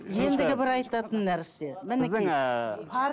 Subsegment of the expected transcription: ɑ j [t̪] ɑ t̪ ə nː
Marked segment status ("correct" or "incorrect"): correct